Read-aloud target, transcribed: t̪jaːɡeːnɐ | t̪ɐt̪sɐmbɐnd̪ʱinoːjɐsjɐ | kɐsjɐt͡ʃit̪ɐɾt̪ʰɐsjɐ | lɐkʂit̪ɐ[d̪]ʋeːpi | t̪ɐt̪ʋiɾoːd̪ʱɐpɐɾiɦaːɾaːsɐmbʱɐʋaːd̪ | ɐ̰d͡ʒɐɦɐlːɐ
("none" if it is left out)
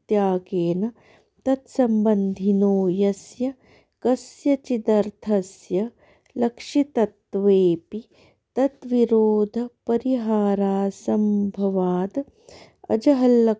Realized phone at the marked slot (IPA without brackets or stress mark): t̪